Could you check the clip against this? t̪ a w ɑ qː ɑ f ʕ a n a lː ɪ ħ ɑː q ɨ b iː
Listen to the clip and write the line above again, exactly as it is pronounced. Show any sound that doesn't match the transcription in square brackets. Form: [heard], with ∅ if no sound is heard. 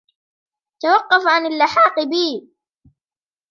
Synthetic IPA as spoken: t̪ a w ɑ qː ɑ f ʕ a n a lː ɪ ħ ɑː q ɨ b iː